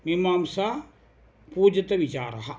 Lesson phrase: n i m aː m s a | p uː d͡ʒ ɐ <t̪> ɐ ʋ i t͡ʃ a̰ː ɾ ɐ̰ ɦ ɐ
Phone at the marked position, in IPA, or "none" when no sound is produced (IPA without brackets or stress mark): t̪